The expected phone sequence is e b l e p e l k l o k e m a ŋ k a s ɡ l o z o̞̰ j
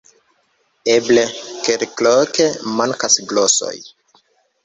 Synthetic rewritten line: e b l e k e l k l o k e m a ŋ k a s ɡ l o s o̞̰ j